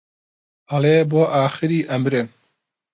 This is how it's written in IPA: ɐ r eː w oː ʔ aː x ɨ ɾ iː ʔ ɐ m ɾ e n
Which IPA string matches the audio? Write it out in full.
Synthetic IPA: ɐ l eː b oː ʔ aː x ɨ ɾ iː ʔ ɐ m ɾ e n